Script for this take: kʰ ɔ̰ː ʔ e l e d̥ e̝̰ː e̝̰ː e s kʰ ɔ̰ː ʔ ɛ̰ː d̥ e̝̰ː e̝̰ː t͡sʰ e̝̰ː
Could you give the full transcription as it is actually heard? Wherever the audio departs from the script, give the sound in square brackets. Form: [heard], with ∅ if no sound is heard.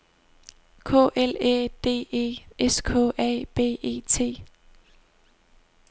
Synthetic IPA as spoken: kʰ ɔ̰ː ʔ e l e d̥ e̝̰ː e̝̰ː e s kʰ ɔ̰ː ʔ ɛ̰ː [b̥] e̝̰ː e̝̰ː t͡sʰ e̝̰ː